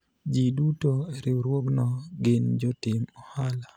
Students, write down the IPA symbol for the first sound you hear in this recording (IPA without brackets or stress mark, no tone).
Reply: d͡ʒ